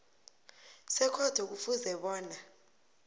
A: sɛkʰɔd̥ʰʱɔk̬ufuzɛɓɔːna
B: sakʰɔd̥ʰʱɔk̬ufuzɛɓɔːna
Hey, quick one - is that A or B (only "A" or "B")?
A